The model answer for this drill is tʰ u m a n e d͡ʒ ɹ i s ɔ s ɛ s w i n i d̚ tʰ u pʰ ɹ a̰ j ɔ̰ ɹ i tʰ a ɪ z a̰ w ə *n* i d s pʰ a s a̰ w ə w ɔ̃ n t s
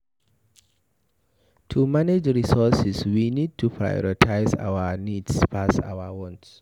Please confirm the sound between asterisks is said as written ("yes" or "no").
yes